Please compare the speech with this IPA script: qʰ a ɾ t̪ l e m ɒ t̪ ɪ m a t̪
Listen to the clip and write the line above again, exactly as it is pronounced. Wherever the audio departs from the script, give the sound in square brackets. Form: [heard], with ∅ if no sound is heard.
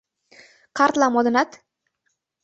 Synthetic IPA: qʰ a ɾ t̪ l [a] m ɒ [d̪] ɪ [n] a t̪